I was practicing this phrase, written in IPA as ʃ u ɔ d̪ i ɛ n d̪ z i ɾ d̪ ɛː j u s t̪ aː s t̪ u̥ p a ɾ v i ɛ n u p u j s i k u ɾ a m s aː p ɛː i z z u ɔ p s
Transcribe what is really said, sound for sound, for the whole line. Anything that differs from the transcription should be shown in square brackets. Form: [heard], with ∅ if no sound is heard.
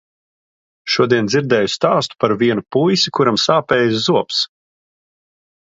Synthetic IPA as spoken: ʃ u ɔ d̪ i ɛ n d̪ z i ɾ d̪ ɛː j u s t̪ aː s t̪ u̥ p a ɾ v i ɛ n u p u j s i k u ɾ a m s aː p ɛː [j] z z u ɔ p s